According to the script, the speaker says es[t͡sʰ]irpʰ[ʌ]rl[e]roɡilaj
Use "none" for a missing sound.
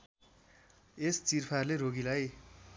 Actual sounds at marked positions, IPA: t͡s, a, e

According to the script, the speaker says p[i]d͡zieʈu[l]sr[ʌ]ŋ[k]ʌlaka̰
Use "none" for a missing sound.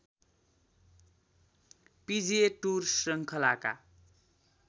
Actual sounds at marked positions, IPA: i, r, ʌ, kʰ

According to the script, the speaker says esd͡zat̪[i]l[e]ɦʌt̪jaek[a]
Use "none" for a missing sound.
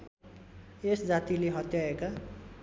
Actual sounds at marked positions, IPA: i, e, a

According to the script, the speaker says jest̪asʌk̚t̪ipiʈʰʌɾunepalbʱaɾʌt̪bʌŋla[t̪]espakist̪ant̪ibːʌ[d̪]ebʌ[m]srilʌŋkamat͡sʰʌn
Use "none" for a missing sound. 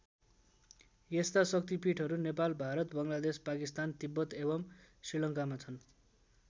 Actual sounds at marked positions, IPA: d̪, t̪, m

